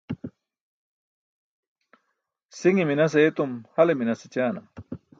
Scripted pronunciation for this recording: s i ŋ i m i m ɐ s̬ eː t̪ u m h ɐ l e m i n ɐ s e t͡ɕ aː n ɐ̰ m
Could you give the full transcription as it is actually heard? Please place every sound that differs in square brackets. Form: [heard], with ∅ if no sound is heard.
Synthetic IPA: s i ŋ i m i [n] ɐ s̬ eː t̪ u m h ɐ l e m i n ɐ s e t͡ɕ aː n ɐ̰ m